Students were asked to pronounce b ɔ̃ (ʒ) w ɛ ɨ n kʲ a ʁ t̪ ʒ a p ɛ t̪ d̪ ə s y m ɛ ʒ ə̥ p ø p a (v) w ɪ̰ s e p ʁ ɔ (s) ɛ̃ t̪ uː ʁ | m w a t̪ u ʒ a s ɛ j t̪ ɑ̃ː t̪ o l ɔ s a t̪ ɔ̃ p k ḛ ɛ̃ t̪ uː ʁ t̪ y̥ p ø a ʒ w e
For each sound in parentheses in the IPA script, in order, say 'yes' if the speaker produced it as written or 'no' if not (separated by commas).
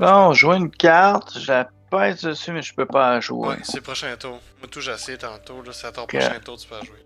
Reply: yes, no, no